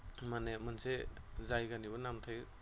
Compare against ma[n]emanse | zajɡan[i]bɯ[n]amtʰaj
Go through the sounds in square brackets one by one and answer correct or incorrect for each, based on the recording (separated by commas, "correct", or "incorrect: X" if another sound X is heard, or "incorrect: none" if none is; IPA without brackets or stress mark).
correct, correct, correct